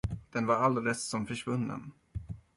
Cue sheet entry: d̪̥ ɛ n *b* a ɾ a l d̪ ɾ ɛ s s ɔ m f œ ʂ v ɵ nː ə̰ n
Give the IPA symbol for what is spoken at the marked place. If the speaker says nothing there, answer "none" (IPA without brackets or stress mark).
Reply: v